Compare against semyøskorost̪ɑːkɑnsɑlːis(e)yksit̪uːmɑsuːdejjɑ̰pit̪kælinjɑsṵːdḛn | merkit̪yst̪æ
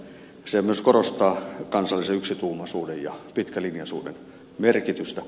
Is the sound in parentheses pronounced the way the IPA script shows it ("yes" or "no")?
yes